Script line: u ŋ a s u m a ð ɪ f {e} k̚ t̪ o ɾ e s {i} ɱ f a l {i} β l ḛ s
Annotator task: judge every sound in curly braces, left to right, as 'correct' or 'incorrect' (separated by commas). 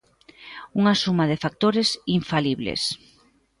incorrect, correct, correct